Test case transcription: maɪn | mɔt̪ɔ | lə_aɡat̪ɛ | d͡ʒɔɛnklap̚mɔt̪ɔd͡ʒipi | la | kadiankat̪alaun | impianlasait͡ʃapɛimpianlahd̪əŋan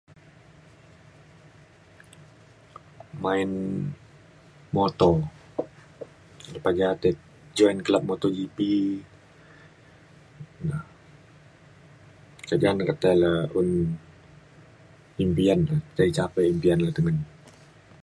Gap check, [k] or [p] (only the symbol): p